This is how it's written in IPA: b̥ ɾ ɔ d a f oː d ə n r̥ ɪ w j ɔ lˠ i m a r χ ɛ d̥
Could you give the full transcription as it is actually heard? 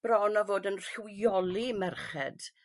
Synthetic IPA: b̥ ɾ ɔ n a v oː d ə n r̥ ɪ w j ɔ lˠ i m ɛ r χ ɛ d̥

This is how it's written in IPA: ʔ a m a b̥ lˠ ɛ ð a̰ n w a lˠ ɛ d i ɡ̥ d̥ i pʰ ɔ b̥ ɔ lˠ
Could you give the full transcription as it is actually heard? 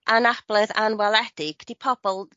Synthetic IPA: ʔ a n a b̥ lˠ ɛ ð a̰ n w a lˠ ɛ d ɪ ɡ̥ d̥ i pʰ ɔ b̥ ɔ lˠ

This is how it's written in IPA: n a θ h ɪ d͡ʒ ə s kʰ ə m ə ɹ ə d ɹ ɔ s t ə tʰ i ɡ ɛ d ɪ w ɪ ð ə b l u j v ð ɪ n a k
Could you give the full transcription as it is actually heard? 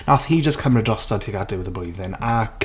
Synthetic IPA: n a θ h i d͡ʒ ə s kʰ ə m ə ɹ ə d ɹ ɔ s t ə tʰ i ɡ a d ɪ w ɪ ð ə b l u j v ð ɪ n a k

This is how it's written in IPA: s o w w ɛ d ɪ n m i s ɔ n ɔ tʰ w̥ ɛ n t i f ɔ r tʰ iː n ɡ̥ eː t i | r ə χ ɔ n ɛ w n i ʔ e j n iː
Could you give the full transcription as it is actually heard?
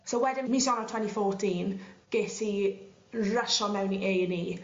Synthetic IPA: s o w w ɛ d ɪ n m i s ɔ n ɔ tʰ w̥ ɛ n t i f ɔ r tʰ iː n ɡ̥ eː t i | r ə ʃ ɔ m ɛ w n i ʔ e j n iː

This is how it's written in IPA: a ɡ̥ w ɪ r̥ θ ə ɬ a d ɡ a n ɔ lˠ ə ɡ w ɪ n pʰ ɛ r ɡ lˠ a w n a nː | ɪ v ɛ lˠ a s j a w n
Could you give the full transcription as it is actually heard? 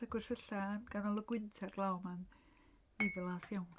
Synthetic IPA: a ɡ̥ w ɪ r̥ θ ə ɬ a n ɡ a n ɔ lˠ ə ɡ w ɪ n tʰ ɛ r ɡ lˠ a w m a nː | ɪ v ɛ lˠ a s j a w n

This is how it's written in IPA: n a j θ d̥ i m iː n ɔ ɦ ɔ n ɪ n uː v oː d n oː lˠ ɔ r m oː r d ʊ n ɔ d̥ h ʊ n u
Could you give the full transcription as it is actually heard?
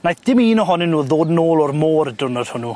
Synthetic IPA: n a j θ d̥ ɪ m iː n ɔ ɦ ɔ n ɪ n uː ð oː d n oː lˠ ɔ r m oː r d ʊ n ɔ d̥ h ʊ n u

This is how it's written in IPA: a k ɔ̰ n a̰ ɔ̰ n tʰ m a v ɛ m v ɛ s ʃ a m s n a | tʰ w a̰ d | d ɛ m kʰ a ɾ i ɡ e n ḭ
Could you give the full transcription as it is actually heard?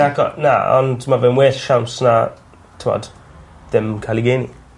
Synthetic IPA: a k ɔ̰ n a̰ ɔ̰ n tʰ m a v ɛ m w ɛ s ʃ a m s n a | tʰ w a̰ d | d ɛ m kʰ a l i ɡ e n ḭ

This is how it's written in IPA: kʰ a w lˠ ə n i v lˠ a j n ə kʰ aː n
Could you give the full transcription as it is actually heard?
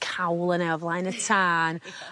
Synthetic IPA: kʰ a w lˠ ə n ɛ v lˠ a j n ə tʰ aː n

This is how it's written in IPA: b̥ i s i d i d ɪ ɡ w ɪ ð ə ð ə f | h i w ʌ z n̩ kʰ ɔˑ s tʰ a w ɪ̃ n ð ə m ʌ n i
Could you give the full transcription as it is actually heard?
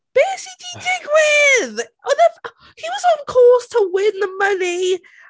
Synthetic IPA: b̥ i s i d i d ɪ ɡ w ɪ ð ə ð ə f | h i w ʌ z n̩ kʰ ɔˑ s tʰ ə w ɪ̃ n ð ə m ʌ n i

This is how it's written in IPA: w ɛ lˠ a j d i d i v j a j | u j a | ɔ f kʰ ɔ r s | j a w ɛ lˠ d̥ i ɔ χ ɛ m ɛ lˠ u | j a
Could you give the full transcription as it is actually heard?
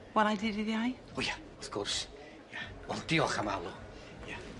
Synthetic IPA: w ɛ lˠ a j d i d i ð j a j | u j a | ɔ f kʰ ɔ r s | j a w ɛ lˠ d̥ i ɔ χ a m a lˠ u | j a

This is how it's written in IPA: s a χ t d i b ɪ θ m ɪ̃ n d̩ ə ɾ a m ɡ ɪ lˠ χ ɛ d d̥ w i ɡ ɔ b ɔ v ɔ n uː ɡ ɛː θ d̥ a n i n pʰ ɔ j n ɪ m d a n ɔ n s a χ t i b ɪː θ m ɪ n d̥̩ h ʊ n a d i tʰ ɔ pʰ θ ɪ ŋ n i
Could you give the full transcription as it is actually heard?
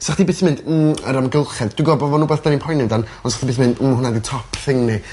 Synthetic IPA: s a χ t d i b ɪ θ m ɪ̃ n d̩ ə ɾ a m ɡ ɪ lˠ χ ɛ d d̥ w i ɡ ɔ b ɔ v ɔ n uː b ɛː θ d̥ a n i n pʰ ɔ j n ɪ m d a n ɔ n s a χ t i b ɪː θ m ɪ n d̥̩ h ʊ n a d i tʰ ɔ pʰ θ ɪ ŋ n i

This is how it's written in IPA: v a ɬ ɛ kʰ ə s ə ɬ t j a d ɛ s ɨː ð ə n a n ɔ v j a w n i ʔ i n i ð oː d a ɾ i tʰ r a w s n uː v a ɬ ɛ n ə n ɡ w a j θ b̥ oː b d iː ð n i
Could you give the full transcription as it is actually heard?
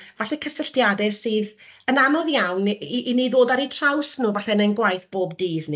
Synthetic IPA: v a ɬ ɛ kʰ ə s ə ɬ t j a d ɛ s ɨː ð ə n a n ɔ ð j a w n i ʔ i n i ð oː d a ɾ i tʰ r a w s n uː v a ɬ ɛ n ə n ɡ w a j θ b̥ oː b d iː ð n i

